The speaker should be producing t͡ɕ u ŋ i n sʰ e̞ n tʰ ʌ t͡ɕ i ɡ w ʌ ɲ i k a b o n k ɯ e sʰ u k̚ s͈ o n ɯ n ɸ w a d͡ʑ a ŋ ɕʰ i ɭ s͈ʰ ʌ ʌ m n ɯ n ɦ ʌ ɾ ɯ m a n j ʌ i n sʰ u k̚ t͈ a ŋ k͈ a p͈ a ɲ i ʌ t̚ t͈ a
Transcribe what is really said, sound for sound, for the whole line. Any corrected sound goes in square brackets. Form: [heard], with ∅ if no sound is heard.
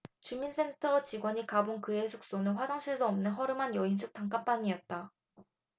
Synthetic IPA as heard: t͡ɕ u [m] i n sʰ e̞ n tʰ ʌ t͡ɕ i ɡ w ʌ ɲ i k a b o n k ɯ e sʰ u k̚ s͈ o n ɯ n ɸ w a d͡ʑ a ŋ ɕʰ i ɭ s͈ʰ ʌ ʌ m n ɯ n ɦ ʌ ɾ ɯ m a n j ʌ i n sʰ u k̚ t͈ a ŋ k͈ a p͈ a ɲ i ʌ t̚ t͈ a